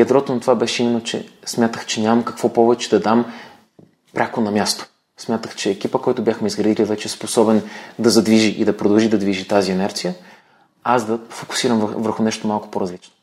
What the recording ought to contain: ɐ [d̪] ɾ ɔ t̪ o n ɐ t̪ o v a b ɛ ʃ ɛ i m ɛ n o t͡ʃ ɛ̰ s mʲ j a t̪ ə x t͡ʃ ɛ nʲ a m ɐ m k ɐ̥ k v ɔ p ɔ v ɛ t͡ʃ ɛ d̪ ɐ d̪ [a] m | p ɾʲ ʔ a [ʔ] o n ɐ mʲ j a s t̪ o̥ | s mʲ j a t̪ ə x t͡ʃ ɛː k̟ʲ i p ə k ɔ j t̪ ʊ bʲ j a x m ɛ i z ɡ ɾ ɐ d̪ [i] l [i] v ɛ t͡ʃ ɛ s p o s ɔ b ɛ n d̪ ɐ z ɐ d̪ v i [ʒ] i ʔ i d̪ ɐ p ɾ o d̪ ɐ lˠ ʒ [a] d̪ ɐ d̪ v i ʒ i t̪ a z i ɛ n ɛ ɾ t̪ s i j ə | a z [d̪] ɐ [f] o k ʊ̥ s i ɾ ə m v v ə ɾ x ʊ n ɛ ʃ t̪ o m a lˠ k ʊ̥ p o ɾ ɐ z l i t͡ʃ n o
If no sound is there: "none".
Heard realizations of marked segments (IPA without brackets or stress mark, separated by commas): d̪, a, k, i, i, ʒ, i, d̪, f